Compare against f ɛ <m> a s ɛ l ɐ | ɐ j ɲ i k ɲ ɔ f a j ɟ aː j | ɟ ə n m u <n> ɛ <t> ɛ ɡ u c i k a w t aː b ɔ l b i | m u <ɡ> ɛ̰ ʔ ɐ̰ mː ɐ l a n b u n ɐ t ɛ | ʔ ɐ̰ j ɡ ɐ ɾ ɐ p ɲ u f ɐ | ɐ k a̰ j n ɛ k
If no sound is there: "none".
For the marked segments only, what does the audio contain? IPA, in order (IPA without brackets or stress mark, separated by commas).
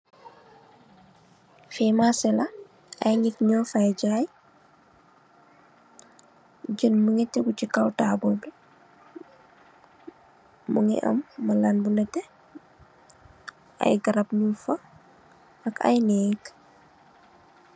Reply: m, ŋ, t, ŋ